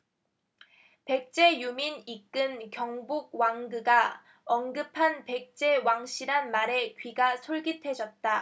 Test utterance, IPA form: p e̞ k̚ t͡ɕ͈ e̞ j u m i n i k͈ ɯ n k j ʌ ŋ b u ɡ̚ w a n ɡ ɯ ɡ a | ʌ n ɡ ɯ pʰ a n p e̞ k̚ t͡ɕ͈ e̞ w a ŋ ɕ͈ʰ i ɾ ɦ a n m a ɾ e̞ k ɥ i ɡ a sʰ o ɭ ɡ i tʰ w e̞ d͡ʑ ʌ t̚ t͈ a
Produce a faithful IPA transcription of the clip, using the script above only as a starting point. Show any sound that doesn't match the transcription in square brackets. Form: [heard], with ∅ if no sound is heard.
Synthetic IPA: p e̞ k̚ t͡ɕ͈ e̞ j u m i n i k͈ ɯ n k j ʌ ŋ b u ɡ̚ w a [ŋ] ɡ ɯ ɡ a | ʌ n ɡ ɯ pʰ a n p e̞ k̚ t͡ɕ͈ e̞ w a ŋ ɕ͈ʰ i ɾ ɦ a n m a ɾ e̞ k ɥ i ɡ a sʰ o ɭ ɡ i tʰ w e̞ d͡ʑ ʌ t̚ t͈ a